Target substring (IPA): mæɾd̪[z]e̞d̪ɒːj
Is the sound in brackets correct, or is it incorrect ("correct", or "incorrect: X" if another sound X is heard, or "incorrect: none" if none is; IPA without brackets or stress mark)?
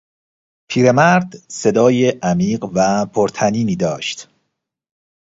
incorrect: s